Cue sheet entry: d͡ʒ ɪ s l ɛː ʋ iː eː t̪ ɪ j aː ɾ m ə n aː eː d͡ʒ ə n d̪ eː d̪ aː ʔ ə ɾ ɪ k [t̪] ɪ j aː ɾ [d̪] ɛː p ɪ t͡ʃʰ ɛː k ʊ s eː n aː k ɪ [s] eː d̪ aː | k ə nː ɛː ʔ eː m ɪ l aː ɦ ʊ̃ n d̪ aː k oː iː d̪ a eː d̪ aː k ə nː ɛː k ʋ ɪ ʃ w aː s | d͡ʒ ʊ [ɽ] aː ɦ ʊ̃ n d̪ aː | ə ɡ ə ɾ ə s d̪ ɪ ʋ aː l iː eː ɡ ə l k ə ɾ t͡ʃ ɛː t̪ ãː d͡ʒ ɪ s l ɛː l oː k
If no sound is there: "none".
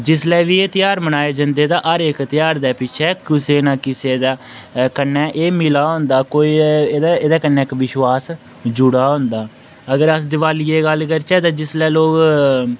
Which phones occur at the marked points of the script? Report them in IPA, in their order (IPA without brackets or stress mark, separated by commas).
t̪, d̪, s, ɽ